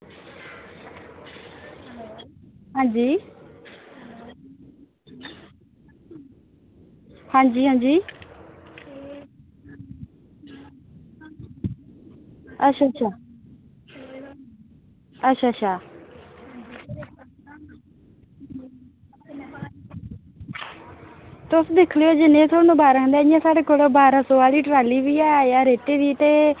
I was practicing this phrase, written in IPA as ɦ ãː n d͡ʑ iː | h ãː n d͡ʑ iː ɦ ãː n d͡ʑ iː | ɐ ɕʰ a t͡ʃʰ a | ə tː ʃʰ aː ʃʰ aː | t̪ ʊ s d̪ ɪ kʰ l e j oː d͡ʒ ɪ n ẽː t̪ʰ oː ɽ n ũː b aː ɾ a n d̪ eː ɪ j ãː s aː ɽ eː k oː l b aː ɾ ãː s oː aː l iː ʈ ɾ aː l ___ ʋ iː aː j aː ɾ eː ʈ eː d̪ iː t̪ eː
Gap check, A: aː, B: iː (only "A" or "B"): B